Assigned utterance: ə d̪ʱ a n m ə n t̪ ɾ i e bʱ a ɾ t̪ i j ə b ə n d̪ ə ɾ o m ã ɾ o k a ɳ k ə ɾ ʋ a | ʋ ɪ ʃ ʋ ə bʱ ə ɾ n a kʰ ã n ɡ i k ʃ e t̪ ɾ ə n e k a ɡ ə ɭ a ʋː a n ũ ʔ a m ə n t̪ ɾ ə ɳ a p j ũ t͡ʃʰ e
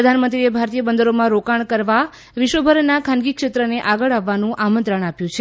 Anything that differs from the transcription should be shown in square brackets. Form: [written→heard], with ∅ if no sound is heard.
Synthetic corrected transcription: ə d̪ʱ a n m ə n t̪ ɾ i e bʱ a ɾ t̪ i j ə b ə n d̪ ə ɾ o m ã ɾ o k a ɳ k ə ɾ ʋ a | ʋ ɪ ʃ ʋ ə bʱ ə ɾ n a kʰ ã n ɡ i k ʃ e t̪ ɾ ə n e [k→ʔ] a ɡ ə ɭ a ʋː a n ũ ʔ a m ə n t̪ ɾ ə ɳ a p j ũ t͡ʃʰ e